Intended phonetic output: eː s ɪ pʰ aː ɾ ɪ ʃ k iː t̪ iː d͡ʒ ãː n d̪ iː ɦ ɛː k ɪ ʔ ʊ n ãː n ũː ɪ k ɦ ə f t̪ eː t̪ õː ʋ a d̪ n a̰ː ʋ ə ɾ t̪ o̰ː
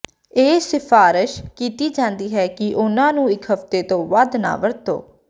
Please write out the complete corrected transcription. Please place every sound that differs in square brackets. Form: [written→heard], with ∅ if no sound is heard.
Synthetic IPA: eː s ɪ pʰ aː ɾ ɪ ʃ k iː t̪ iː d͡ʒ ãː n d̪ iː ɦ ɛː k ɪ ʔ ʊ n ãː n ũː ɪ k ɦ ə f t̪ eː t̪ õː ʋ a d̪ n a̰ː ʋ ə ɾ t̪ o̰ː